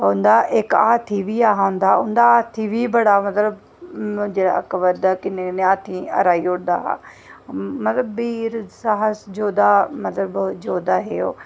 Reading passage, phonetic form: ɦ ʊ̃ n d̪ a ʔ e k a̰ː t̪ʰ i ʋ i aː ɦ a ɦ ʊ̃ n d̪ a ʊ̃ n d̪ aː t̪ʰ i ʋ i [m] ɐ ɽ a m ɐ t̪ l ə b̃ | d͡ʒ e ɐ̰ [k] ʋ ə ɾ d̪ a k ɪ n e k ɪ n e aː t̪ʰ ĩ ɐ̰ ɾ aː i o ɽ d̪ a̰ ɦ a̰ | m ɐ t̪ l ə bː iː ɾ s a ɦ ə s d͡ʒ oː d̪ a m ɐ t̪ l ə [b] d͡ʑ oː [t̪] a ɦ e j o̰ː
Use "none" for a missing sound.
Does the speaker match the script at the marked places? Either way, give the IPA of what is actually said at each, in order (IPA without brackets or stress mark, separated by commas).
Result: b, k, b, d̪